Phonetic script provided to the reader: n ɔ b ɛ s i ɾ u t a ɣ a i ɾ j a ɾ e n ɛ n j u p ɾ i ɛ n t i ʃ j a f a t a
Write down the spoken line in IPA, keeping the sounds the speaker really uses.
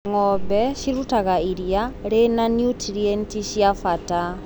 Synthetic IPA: ŋ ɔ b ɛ ʃ i ɾ u t a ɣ a i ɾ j a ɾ e n a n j u t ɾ i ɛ n t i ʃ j a f a t a